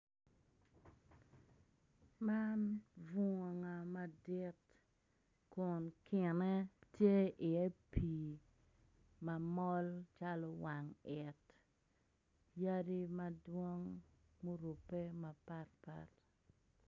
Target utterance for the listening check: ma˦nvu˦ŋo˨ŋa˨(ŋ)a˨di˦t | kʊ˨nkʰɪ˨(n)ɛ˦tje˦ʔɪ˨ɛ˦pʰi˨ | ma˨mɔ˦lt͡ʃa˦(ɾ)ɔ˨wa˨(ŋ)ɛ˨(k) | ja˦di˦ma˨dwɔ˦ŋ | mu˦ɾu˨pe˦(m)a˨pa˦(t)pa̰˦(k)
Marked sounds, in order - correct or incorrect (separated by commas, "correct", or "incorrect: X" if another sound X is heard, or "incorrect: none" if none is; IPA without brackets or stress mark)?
incorrect: m, correct, incorrect: l, correct, incorrect: t, correct, correct, incorrect: t